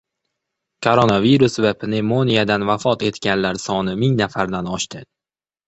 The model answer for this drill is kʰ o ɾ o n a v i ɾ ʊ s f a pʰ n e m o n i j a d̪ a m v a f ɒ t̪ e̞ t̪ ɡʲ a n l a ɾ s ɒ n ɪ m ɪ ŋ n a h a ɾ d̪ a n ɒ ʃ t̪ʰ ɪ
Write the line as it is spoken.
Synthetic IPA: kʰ o ɾ o n a v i ɾ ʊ s v a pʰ n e m o n i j a d̪ a n v a f ɒ t̪ e̞ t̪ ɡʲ a n l a ɾ s ɒ n ɪ m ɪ ŋ n a f a ɾ d̪ a n ɒ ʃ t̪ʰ ɪ